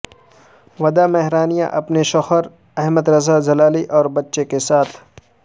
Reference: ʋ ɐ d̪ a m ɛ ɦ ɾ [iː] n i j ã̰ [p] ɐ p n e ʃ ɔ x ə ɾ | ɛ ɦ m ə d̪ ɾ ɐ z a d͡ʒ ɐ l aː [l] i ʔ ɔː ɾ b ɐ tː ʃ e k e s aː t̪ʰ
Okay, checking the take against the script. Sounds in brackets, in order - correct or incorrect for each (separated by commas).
incorrect, incorrect, correct